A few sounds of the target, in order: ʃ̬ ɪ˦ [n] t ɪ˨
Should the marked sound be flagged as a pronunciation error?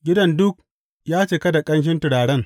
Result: no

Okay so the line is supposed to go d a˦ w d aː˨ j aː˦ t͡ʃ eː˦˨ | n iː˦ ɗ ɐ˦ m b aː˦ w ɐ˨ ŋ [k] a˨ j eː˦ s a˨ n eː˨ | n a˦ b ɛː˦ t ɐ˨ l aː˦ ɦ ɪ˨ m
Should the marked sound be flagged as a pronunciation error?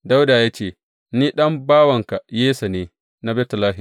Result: no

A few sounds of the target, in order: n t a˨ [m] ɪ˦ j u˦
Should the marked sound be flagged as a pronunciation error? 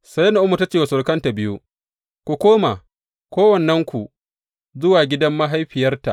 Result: yes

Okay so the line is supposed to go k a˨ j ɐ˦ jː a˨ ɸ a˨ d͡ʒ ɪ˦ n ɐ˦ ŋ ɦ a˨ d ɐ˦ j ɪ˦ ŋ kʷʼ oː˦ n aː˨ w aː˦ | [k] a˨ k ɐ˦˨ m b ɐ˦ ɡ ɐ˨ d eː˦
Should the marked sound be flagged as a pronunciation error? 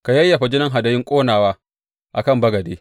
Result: yes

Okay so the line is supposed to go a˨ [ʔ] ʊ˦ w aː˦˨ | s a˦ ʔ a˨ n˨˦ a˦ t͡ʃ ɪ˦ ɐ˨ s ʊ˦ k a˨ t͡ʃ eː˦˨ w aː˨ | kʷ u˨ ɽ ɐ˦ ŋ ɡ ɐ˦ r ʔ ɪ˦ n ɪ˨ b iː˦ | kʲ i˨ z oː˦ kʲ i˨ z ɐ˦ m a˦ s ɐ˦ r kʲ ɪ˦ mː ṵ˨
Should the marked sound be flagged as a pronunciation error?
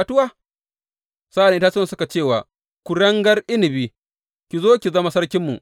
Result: yes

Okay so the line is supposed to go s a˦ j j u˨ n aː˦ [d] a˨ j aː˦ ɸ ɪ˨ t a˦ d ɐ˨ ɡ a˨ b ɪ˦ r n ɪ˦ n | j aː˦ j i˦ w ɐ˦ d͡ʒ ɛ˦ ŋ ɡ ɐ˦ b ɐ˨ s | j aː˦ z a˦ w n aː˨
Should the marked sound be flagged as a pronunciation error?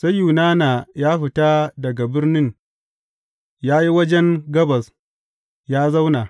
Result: yes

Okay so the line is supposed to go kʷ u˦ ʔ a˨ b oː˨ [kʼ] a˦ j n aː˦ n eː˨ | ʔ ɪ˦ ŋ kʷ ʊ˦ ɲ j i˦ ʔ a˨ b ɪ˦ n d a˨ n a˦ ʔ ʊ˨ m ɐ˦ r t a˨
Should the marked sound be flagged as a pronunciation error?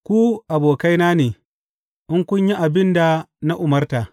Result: yes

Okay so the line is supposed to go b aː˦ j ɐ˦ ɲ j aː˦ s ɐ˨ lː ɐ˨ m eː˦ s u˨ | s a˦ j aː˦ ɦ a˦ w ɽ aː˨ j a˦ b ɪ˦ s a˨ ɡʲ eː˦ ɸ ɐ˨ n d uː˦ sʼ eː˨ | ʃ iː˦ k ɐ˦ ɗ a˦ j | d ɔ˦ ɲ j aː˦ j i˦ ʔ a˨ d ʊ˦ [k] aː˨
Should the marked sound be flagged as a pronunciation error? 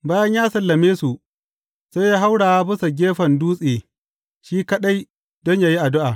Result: yes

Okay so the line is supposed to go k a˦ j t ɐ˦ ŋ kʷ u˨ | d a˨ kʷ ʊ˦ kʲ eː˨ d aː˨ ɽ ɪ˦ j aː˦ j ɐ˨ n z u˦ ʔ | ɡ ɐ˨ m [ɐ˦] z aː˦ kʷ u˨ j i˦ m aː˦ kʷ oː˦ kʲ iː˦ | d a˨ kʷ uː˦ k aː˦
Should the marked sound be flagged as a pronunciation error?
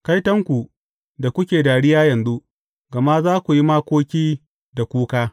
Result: yes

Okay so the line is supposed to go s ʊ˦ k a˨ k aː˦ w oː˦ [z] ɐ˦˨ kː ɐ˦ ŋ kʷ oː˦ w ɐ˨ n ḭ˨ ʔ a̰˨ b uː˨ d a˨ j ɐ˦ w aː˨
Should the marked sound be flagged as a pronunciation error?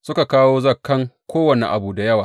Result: no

